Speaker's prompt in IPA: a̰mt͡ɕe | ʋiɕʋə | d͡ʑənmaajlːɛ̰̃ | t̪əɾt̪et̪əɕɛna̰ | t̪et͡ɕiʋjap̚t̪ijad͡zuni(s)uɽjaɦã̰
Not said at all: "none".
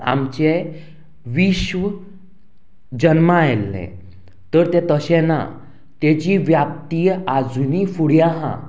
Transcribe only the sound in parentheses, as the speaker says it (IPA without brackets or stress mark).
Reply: f